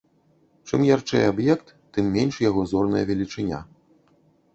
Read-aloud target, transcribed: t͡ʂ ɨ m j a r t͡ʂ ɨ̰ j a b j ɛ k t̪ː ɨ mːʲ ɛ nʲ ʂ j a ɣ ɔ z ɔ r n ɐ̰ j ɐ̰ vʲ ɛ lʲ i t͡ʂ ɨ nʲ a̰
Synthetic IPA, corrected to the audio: t͡ʂ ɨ m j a r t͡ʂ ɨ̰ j a b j ɛ k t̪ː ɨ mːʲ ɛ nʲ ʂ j a ɣ ɔ z ɔ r n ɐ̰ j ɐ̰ vʲ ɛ lʲ i t͡ʂ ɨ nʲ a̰